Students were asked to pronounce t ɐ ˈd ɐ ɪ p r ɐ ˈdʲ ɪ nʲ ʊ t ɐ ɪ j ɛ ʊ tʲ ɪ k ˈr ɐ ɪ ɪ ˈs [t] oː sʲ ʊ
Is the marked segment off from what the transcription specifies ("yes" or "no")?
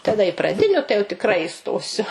no